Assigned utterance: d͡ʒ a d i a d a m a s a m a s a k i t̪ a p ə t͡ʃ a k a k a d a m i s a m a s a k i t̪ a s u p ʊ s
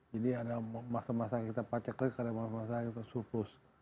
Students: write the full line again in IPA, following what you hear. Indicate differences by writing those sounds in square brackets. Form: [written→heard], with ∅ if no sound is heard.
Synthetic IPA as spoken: d͡ʒ a d i a d a m a s a m a s a k i t̪ a p [ə→a] t͡ʃ a k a k a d a m [i→a] s a m a s a k i t̪ a s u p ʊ s